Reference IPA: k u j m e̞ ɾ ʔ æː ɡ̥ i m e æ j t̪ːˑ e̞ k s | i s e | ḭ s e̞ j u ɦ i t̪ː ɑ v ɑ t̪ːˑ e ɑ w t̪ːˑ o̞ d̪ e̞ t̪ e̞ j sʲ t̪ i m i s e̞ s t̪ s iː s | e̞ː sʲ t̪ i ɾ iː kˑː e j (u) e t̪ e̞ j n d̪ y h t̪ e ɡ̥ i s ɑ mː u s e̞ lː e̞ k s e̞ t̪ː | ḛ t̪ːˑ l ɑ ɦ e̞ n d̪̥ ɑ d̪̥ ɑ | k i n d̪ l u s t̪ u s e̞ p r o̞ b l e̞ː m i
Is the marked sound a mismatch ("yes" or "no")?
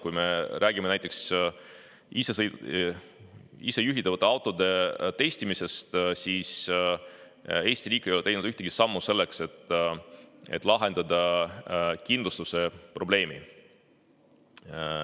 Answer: yes